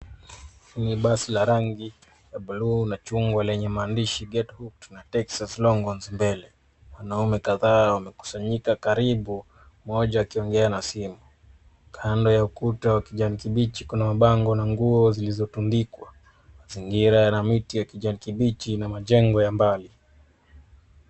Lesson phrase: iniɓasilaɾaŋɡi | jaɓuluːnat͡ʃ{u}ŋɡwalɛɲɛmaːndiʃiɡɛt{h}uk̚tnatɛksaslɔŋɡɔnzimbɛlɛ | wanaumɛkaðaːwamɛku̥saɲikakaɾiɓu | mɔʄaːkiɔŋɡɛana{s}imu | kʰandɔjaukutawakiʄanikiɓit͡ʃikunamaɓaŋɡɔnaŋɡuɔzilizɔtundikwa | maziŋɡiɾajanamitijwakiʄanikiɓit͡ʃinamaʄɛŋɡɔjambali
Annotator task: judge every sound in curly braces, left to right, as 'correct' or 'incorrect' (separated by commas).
correct, correct, correct